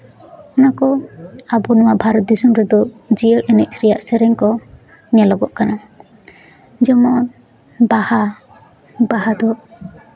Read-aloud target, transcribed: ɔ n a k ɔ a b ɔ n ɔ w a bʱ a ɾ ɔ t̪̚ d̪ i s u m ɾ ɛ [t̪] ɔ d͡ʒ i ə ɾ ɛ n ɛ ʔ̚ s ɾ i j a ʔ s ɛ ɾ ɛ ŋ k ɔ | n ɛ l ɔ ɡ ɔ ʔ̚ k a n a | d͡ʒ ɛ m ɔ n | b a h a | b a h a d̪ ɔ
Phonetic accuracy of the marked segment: incorrect: d̪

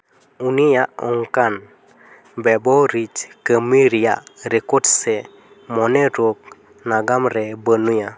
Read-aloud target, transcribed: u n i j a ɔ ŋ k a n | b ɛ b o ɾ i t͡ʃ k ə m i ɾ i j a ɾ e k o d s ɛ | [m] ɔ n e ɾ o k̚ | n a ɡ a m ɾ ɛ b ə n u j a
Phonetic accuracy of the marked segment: correct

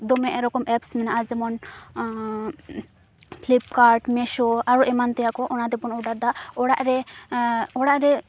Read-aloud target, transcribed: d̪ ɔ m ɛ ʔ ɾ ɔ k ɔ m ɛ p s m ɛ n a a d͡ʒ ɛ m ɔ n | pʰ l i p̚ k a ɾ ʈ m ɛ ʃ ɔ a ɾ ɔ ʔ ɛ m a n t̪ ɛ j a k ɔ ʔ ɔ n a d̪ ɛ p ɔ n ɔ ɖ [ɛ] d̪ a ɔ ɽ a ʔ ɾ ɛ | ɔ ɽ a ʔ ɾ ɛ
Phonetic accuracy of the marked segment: incorrect: a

